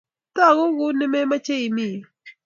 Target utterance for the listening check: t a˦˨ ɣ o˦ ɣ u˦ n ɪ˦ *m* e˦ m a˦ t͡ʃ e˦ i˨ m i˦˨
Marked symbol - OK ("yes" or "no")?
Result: yes